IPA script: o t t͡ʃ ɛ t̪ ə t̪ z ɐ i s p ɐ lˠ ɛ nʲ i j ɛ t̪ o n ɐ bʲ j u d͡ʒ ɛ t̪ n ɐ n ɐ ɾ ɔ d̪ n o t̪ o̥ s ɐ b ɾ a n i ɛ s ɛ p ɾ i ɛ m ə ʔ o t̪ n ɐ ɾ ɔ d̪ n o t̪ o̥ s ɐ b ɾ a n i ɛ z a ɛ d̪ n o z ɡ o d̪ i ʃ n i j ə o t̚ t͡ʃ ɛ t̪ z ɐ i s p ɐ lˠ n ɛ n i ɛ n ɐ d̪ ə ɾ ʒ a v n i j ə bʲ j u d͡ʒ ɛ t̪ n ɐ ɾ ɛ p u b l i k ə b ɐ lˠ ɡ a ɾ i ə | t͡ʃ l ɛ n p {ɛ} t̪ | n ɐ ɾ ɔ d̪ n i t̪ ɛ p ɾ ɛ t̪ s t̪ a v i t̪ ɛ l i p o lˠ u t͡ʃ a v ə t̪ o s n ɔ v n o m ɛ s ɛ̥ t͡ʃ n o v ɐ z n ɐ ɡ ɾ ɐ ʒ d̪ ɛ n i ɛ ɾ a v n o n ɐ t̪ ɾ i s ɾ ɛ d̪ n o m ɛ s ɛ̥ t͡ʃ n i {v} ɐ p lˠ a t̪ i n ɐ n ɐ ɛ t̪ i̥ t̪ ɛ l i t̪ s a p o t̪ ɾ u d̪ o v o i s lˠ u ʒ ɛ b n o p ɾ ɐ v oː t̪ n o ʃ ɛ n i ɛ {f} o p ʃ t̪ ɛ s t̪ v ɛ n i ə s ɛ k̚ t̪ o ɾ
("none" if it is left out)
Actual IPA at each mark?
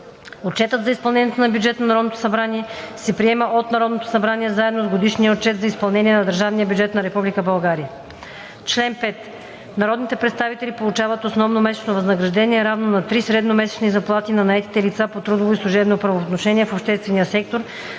ɛ, z, f

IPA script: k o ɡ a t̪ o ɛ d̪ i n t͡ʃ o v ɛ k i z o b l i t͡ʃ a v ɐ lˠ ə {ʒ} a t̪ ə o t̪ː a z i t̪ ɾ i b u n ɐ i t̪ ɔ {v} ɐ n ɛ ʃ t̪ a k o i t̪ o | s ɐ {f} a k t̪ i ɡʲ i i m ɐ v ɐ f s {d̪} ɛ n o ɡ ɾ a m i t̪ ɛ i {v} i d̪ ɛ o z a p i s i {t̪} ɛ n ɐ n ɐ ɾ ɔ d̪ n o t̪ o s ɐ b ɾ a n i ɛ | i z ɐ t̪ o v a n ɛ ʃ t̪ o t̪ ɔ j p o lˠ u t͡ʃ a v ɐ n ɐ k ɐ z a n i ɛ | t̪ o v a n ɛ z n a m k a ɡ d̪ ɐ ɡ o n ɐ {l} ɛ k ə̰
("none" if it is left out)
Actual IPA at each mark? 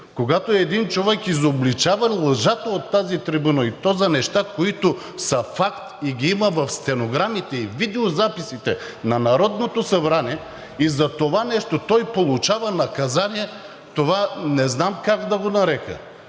ʒ, z, f, t̪, v, t̪, ɾ

